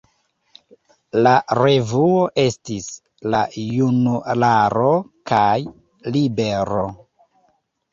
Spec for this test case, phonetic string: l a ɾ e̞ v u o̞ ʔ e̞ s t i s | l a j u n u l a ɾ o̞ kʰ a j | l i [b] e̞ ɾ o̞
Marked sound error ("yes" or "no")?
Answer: no